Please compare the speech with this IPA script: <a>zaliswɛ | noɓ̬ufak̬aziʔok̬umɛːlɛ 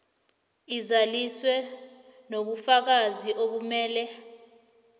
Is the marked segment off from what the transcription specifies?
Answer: yes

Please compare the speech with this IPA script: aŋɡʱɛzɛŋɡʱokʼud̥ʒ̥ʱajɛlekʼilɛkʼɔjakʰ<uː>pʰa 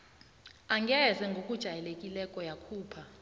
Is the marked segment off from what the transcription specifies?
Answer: no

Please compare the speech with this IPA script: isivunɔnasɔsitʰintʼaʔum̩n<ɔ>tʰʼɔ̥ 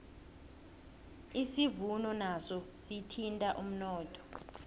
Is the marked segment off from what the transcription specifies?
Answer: yes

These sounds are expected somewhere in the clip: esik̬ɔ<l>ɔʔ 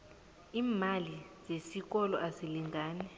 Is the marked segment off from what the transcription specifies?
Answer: no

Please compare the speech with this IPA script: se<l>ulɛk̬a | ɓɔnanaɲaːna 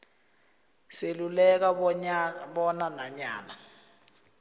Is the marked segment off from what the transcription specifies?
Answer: no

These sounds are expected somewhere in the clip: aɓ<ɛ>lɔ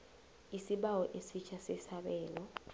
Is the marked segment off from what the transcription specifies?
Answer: yes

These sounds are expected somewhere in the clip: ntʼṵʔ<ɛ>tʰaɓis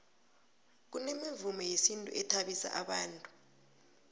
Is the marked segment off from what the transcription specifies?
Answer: no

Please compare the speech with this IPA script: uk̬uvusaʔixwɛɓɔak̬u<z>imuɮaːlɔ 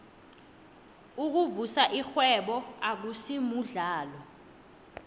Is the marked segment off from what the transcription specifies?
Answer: yes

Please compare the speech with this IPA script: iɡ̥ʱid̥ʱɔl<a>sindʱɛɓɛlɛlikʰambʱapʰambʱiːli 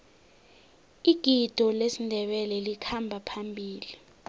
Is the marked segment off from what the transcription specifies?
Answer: yes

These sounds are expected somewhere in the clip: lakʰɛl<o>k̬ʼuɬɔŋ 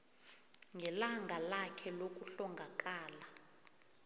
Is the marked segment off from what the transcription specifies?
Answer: no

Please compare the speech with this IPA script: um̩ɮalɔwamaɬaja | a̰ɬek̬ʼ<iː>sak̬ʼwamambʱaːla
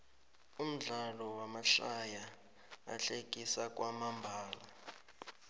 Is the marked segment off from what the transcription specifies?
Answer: yes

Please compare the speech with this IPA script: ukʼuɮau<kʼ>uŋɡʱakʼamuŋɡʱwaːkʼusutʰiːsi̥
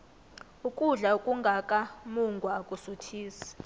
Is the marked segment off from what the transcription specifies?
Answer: no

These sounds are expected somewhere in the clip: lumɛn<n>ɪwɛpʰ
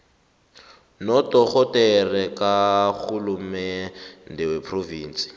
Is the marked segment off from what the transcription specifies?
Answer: yes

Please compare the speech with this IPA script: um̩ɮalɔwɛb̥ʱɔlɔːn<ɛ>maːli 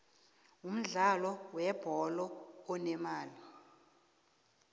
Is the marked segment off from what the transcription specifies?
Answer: no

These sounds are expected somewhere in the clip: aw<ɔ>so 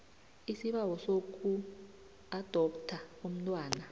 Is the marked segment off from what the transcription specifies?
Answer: no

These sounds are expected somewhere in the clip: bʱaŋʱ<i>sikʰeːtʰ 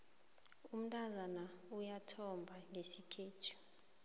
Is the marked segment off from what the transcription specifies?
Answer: yes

